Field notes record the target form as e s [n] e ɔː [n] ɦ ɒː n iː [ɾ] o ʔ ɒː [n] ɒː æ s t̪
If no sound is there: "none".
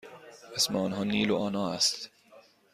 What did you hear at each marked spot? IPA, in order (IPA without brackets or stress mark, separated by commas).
m, n, l, n